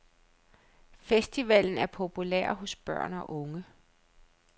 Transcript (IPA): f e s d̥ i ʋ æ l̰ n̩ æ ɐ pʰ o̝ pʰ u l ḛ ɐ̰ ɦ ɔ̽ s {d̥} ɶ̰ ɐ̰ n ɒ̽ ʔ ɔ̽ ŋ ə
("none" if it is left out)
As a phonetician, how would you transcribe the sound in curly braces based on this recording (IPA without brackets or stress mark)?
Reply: b̥